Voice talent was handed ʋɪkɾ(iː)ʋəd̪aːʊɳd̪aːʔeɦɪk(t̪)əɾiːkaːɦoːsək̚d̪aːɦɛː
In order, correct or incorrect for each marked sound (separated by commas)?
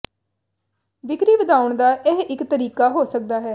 correct, correct